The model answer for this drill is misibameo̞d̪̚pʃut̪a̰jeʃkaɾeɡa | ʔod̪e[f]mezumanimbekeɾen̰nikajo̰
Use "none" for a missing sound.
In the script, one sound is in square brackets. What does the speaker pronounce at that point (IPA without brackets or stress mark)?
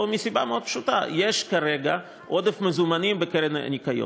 f